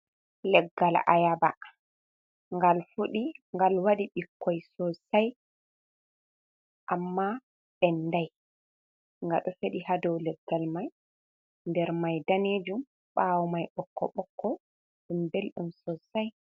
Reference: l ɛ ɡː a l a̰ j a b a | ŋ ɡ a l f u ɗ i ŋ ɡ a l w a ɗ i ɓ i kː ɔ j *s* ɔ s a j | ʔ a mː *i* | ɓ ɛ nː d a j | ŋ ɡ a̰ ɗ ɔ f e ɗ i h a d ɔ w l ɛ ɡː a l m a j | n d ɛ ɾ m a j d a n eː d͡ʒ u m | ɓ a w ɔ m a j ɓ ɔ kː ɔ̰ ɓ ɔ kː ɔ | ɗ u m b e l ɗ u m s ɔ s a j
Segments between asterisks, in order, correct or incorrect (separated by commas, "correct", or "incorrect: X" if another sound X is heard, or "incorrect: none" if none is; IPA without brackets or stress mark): correct, incorrect: a